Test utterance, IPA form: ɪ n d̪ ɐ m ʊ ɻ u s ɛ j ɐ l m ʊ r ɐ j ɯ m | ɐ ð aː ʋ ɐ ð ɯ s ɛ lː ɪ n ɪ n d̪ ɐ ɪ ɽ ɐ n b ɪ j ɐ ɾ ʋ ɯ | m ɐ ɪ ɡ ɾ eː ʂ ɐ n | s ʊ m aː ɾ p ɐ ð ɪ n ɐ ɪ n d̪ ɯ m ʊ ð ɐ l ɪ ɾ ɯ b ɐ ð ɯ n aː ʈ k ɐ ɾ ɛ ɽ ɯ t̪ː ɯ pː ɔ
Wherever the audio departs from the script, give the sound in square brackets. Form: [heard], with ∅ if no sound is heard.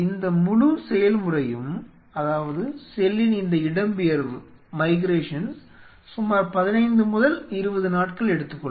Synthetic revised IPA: ɪ n d̪ ɐ m ʊ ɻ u s ɛ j ɐ l m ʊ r ɐ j ɯ m | ɐ ð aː ʋ ɐ ð ɯ s ɛ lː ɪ n ɪ n d̪ ɐ ɪ ɽ ɐ [m] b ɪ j ɐ ɾ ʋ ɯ | m ɐ ɪ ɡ ɾ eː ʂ ɐ n | s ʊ m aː ɾ p ɐ ð ɪ n ɐ ɪ n d̪ ɯ m ʊ ð ɐ l ɪ ɾ ɯ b ɐ ð ɯ n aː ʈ k ɐ [ɭ] ɛ ɽ ɯ t̪ː ɯ [kː] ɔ